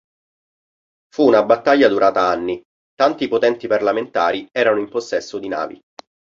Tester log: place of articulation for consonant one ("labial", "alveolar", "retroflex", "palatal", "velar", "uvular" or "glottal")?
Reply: labial